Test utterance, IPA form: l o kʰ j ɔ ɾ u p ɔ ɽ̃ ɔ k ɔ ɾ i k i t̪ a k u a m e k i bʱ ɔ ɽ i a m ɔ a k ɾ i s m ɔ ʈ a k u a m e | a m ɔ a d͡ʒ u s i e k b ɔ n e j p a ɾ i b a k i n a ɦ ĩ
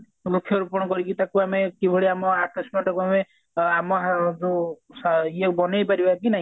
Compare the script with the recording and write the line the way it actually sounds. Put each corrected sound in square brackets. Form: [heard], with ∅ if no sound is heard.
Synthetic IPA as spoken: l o kʰ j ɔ ɾ u p ɔ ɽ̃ ɔ k ɔ ɾ i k i t̪ a k u a m e k i bʱ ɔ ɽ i a m ɔ a k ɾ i s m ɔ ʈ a k u a m e | a m ɔ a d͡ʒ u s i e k b ɔ n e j p a ɾ i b a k i n a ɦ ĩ